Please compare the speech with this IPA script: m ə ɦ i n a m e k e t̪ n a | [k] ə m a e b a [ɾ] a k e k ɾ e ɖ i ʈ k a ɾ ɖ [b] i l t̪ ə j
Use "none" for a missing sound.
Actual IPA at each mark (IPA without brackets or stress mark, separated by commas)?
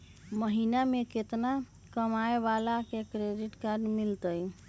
k, l, m